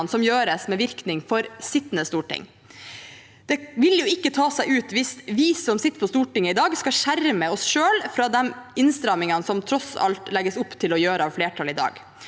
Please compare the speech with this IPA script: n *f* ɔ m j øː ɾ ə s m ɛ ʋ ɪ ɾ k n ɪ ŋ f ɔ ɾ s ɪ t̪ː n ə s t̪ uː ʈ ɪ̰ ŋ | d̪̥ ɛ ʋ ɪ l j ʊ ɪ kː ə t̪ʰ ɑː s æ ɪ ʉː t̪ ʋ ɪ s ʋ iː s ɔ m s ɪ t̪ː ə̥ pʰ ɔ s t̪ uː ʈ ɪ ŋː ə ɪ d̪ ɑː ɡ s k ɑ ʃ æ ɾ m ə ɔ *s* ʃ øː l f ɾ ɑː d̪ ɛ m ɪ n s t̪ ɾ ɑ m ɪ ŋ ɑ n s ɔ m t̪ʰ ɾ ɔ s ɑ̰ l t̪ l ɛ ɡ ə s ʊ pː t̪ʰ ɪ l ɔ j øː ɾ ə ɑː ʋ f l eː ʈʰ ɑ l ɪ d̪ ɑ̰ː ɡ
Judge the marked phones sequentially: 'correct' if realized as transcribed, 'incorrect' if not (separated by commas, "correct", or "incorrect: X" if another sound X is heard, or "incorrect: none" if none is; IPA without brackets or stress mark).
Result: incorrect: s, correct